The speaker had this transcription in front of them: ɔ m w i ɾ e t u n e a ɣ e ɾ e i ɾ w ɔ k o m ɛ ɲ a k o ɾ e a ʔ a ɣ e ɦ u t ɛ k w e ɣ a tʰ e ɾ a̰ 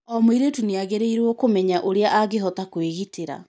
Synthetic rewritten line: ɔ m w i ɾ e t u n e a ɣ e ɾ e i ɾ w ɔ k o m ɛ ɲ a ʔ o ɾ e a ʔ a ɣ e ɦ ɔ t a k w e ɣ i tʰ e ɾ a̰